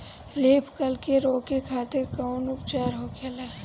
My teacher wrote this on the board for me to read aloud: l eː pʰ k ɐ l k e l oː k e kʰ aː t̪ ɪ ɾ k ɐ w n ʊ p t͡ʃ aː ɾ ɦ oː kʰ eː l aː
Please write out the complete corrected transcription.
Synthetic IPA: l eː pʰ k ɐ l k e ɾ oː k e kʰ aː t̪ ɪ ɾ k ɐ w n ʊ p t͡ʃ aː ɾ ɦ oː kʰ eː l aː